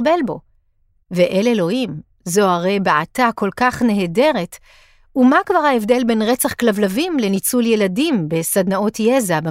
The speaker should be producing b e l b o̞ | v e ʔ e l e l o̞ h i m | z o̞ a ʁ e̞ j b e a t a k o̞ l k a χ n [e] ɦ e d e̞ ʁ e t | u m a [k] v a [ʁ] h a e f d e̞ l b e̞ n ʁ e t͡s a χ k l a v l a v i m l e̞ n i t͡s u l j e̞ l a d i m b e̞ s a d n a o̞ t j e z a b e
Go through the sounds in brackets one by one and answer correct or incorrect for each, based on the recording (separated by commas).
correct, correct, correct